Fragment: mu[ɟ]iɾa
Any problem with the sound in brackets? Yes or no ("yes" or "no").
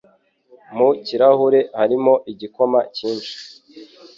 yes